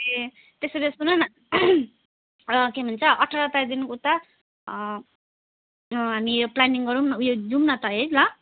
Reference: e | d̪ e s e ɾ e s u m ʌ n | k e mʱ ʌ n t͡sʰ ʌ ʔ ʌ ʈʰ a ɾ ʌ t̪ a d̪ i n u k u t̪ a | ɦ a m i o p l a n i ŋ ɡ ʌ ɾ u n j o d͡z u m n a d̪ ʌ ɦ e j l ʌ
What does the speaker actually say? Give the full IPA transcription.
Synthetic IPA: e | t̪ e s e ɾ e s u n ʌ n | k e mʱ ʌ n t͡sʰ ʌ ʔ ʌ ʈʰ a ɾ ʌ t̪ a d̪ i n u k u t̪ a | ɦ a m i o p l a n i ŋ ɡ ʌ ɾ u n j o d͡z u m n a t̪ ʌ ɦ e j l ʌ

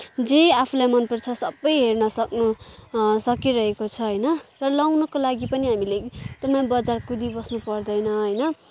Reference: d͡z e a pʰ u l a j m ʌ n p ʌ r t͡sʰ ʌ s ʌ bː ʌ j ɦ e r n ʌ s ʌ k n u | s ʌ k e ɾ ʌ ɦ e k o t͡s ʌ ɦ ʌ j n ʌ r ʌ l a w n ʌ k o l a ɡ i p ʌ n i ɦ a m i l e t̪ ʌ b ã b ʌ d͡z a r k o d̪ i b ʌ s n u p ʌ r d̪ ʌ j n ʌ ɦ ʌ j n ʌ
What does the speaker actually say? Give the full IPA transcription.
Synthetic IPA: d͡z e a pʰ u l a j m ʌ n p ʌ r t͡sʰ ʌ s ʌ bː ʌ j ɦ e r n ʌ s ʌ k n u | s ʌ k i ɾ ʌ ɦ e k o t͡sʰ ʌ ɦ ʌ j n ʌ r ʌ l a w n ʌ k o l a ɡ i p ʌ n i ɦ a m i l e t̪ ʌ m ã b ʌ d͡z a r k u d̪ i b ʌ s n u p ʌ r d̪ ʌ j n ʌ ɦ ʌ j n ʌ

